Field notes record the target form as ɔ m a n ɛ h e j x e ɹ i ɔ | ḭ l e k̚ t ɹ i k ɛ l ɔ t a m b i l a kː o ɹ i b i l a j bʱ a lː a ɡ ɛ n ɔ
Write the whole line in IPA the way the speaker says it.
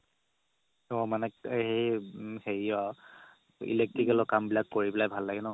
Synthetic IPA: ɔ m a n ɛ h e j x e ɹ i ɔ | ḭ l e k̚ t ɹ i k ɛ l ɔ k a m b i l a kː o ɹ i b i l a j bʱ a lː a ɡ ɛ n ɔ